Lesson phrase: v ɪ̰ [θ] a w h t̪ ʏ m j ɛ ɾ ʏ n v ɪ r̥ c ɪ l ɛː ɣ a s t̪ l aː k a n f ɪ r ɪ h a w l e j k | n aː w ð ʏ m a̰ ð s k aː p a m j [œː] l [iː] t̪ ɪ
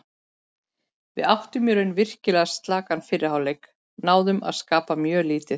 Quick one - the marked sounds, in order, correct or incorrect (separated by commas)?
incorrect, correct, correct